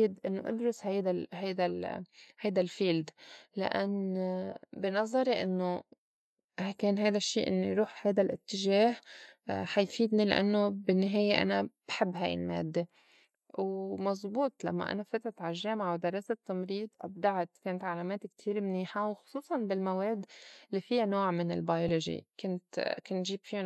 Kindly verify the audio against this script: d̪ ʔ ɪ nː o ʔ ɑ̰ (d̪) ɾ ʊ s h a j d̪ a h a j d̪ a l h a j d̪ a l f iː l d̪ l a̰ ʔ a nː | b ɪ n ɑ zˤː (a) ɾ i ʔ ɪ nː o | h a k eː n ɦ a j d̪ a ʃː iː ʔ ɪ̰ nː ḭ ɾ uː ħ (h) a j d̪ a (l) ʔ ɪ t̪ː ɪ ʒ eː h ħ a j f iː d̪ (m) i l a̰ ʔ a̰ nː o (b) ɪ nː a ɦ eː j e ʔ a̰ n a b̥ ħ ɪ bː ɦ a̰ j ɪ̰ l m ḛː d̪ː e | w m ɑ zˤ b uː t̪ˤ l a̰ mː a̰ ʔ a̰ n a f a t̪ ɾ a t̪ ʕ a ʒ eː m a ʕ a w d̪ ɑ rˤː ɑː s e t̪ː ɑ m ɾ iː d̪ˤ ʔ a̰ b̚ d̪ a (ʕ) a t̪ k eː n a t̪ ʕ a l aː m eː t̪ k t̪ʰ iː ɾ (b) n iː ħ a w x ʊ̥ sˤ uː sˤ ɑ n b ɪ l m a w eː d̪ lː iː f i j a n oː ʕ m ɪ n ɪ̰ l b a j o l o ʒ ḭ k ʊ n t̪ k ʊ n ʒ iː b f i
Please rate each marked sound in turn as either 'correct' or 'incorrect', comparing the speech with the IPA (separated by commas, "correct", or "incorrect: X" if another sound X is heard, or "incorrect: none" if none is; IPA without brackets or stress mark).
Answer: correct, incorrect: ɑ, correct, correct, incorrect: n, correct, correct, incorrect: m